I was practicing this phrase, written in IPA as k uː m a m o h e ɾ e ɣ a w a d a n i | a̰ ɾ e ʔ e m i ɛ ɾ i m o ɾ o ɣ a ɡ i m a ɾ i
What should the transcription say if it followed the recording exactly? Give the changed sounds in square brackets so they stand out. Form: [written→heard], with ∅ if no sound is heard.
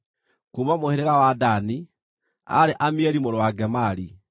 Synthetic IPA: k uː m a m o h e ɾ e ɣ a w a d a n i | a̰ ɾ e ʔ [e→a] m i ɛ ɾ i m o ɾ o [ɣ→w] a ɡ [i→ɛ] m a ɾ i